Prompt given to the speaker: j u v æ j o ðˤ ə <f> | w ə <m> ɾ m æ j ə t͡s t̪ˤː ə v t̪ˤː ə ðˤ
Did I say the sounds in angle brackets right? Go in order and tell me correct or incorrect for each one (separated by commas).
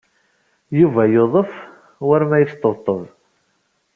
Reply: correct, incorrect